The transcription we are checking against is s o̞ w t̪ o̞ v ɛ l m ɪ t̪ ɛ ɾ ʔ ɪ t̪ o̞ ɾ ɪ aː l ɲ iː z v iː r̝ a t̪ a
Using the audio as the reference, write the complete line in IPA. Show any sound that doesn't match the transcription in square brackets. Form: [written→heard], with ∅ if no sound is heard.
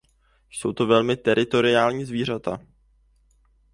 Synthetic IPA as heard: s o̞ w t̪ o̞ v ɛ l m ɪ t̪ ɛ ɾ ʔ ɪ t̪ o̞ ɾ ɪ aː l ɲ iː z v iː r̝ a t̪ a